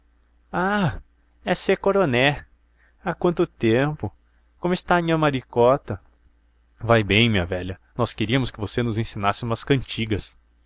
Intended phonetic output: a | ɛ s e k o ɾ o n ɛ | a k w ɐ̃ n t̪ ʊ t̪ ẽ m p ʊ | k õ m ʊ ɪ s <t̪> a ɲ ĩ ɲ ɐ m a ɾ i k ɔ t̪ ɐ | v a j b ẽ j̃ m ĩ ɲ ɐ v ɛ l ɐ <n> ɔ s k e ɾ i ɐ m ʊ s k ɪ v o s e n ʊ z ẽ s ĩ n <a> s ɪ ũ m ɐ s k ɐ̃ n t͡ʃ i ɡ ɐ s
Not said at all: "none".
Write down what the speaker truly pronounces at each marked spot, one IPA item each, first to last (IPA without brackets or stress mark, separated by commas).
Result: t̪, n, a